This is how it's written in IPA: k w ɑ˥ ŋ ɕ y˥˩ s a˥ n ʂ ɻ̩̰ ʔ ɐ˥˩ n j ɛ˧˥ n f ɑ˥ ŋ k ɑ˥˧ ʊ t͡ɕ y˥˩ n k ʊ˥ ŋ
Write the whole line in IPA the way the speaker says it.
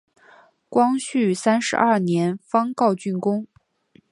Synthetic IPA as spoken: k w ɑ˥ ŋ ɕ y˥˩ s a˥ n ʂ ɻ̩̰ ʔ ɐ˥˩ n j ɛ˧˥ n f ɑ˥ ŋ k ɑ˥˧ ʊ t͡ɕ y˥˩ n k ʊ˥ ŋ